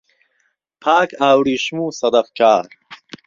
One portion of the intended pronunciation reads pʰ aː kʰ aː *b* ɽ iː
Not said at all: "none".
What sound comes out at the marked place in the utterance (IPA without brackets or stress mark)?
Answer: w